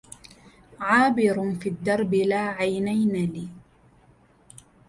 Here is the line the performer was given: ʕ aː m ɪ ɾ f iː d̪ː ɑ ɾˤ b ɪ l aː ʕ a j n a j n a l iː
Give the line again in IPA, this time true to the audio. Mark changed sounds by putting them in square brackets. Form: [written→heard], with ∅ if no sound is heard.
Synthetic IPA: ʕ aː [m→b] ɪ ɾ f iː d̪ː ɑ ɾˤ b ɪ l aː ʕ a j n a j n a l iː